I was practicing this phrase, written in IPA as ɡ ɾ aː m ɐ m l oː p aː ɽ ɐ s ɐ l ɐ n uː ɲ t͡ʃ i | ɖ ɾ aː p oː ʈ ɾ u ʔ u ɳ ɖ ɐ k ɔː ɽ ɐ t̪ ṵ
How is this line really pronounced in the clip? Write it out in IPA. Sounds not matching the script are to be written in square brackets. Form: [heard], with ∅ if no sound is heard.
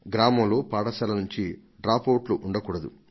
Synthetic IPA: ɡ ɾ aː m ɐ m l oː p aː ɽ ɐ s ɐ l ɐ n [u] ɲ t͡ʃ i | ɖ ɾ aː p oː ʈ [l] u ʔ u ɳ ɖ ɐ k [uː] ɽ ɐ [d̪] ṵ